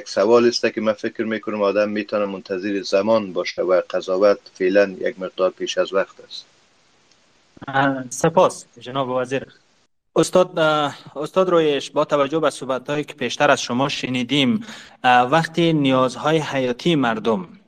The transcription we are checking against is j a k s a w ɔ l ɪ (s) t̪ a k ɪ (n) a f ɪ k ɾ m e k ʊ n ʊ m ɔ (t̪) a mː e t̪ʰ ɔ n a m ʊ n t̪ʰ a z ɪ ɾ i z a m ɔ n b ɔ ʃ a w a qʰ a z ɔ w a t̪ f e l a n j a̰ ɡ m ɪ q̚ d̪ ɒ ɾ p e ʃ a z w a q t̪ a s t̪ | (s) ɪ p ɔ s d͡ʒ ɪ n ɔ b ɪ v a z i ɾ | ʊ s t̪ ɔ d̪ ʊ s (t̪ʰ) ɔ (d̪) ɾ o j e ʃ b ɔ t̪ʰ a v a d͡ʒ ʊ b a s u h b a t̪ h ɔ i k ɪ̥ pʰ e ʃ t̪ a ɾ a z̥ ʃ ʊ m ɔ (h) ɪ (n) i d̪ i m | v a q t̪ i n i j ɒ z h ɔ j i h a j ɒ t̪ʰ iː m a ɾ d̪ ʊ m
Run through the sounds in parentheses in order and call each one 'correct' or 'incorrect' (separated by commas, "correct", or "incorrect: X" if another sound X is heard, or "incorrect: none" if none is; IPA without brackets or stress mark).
correct, incorrect: m, incorrect: d̪, correct, incorrect: t̪, correct, incorrect: ʃ, correct